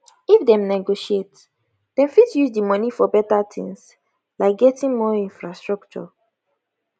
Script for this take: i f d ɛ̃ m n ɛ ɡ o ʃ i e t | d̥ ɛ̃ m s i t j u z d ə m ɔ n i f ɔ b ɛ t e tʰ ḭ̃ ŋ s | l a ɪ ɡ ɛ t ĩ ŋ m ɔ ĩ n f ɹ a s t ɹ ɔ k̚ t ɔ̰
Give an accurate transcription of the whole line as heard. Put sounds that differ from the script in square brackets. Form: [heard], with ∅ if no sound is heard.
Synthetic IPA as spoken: i f d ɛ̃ m n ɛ ɡ o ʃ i e t | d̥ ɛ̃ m [f] i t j u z d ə m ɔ n i f ɔ b ɛ t [a] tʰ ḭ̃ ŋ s | l a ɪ ɡ ɛ t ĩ ŋ m ɔ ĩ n f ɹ a s t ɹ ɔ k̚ [t͡ʃ] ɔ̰